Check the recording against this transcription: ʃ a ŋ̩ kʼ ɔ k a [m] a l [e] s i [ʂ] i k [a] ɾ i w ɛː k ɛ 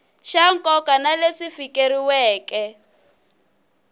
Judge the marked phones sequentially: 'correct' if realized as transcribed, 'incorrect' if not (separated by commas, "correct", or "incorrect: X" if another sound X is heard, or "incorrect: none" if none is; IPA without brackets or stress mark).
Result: incorrect: n, correct, incorrect: f, incorrect: e